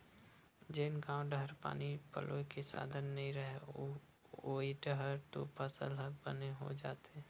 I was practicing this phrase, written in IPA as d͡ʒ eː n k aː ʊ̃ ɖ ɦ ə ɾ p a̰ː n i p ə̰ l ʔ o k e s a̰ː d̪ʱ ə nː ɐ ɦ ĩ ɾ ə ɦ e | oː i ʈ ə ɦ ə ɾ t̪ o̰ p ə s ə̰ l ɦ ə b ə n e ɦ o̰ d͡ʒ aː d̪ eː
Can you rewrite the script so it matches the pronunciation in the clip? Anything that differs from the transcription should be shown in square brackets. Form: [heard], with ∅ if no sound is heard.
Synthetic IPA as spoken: d͡ʒ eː n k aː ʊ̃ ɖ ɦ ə ɾ p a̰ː n i p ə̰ l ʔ o k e s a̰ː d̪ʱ ə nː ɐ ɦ ĩ ɾ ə ɦ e | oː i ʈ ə ɦ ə ɾ t̪ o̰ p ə s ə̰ l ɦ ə b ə n e ɦ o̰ d͡ʒ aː [t̪] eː